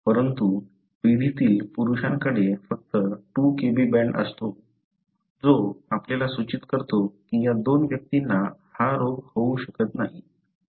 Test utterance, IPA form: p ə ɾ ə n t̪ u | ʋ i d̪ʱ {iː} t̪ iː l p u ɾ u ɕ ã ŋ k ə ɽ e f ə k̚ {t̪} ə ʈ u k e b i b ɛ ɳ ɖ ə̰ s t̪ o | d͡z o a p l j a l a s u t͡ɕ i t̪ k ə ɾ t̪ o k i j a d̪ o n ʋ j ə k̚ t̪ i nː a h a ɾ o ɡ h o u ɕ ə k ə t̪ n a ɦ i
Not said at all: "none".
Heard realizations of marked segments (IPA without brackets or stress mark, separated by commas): i, t̪